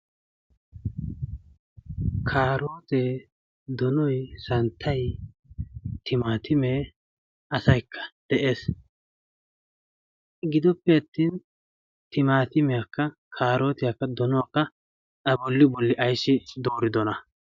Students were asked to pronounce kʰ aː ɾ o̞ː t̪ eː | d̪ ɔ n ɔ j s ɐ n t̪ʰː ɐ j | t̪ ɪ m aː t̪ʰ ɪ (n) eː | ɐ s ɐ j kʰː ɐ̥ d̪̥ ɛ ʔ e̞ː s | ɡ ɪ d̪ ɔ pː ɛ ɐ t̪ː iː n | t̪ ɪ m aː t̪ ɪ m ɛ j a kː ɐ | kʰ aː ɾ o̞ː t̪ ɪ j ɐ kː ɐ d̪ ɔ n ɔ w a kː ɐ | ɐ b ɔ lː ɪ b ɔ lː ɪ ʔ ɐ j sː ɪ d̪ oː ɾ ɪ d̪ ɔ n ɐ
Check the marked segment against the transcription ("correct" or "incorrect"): incorrect